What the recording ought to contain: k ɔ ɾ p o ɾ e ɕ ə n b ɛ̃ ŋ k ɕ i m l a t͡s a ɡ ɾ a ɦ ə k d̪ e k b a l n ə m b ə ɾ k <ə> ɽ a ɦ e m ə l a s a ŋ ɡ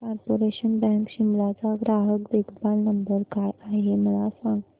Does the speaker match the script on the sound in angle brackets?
no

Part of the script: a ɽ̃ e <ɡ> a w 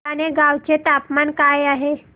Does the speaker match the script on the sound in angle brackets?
yes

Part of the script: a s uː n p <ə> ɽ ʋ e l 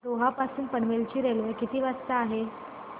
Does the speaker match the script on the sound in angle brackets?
yes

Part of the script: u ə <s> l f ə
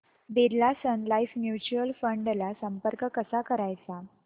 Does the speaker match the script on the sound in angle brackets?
no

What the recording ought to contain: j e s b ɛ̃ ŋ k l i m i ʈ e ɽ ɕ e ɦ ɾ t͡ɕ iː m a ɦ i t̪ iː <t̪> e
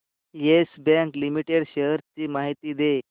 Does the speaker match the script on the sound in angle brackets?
no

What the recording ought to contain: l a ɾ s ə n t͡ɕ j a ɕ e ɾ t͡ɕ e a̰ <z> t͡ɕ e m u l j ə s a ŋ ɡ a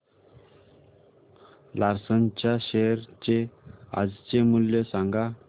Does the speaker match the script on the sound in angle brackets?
no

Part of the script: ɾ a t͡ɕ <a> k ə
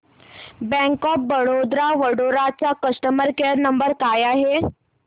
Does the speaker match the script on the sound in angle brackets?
yes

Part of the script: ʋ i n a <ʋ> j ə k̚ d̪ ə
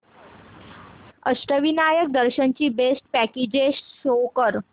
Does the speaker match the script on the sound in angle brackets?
no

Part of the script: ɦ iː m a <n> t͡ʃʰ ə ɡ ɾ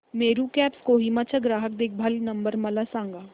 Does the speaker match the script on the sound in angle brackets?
no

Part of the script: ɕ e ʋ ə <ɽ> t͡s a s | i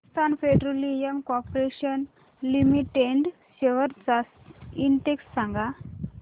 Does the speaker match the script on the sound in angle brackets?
no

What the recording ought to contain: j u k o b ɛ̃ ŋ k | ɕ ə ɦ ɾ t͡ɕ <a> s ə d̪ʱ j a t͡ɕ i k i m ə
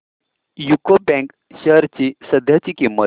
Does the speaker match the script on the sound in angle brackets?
no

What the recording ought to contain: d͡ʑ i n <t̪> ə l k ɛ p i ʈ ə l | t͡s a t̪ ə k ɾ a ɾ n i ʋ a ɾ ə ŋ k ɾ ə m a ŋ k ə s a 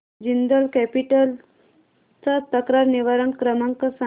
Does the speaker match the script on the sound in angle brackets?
no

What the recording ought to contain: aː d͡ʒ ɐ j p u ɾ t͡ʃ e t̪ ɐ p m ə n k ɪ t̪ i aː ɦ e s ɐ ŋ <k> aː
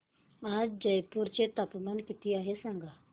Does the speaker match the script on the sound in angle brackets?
no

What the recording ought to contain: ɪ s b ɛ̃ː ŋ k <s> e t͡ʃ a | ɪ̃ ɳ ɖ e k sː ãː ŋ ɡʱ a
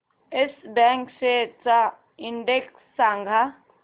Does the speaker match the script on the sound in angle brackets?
yes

